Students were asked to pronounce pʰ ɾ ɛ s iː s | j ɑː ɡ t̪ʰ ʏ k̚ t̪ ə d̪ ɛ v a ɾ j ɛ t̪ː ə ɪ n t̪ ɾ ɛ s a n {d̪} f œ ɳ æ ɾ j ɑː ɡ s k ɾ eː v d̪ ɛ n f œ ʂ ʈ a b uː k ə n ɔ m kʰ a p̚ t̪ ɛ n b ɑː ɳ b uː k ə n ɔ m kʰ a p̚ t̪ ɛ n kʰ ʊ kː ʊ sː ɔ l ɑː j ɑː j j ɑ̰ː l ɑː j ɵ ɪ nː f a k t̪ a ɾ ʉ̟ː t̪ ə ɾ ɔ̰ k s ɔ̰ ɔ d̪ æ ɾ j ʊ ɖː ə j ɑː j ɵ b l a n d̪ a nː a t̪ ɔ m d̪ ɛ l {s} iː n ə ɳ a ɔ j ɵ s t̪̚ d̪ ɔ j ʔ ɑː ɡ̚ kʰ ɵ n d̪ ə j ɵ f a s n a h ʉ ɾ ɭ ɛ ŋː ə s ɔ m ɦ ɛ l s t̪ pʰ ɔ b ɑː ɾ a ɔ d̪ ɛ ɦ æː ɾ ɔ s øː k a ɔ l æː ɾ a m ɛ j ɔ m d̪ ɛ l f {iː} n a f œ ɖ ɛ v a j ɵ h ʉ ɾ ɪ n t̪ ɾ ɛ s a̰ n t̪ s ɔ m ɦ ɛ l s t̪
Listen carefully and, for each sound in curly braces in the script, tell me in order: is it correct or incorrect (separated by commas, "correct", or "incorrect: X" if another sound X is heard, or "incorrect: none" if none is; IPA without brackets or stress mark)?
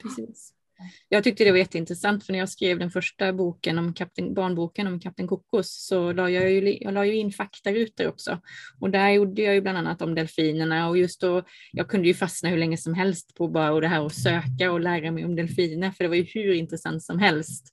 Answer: incorrect: t̪, incorrect: f, correct